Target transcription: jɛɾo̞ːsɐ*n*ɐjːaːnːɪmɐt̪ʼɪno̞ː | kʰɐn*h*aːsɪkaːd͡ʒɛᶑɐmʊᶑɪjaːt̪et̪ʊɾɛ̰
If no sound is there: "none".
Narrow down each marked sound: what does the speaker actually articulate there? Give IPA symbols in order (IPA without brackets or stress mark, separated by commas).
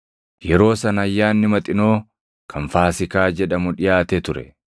n, f